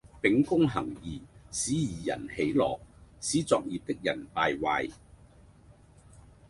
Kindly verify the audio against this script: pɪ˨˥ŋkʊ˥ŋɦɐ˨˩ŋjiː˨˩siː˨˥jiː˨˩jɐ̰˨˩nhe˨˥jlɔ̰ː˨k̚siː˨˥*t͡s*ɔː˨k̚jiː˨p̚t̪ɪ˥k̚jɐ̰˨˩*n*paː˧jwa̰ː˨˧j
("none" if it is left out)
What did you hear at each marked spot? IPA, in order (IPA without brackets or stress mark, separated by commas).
t͡s, n